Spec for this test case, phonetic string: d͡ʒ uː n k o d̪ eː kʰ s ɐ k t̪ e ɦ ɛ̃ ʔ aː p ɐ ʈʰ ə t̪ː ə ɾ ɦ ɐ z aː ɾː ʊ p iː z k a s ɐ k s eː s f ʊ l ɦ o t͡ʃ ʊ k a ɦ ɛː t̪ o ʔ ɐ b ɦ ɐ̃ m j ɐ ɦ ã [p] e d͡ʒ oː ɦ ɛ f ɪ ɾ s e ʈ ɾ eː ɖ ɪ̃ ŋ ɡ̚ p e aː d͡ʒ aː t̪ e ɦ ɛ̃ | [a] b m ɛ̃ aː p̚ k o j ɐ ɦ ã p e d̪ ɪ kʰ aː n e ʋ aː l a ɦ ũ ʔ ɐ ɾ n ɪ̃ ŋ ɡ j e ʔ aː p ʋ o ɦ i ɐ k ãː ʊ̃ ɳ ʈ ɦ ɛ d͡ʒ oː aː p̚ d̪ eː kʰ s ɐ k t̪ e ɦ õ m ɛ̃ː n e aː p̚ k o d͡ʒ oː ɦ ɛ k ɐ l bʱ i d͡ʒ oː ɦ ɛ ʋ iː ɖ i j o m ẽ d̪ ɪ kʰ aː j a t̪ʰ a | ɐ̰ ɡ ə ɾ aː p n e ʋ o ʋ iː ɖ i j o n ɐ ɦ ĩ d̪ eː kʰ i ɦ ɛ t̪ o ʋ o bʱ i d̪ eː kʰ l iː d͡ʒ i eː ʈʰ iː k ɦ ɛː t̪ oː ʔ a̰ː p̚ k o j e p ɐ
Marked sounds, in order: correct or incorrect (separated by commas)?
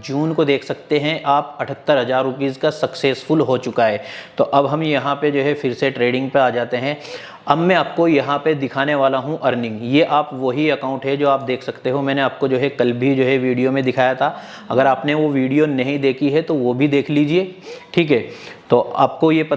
correct, incorrect